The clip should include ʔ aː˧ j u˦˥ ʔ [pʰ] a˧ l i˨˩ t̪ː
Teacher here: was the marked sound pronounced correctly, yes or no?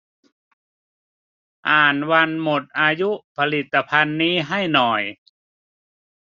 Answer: yes